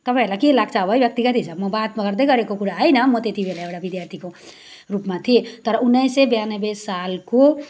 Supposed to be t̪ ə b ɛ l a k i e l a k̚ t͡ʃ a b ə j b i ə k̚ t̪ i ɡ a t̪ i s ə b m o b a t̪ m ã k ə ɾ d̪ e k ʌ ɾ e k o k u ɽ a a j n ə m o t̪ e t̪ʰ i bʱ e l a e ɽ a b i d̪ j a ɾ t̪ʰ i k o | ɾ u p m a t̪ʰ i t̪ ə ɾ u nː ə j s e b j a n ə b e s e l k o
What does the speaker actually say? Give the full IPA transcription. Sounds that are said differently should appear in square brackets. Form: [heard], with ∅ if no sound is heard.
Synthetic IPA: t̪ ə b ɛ l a k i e l a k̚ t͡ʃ a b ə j b [j] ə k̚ t̪ i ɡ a t̪ i s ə b m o b a t̪ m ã k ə ɾ d̪ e k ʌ ɾ e k o k u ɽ a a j n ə m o t̪ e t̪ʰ i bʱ e l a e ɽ a b i d̪ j a ɾ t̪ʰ i k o | ɾ u p m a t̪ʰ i t̪ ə ɾ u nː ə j s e b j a n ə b e s [a] l k o